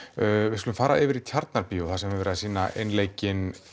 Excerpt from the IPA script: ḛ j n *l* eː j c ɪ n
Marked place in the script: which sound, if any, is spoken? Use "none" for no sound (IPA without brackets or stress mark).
l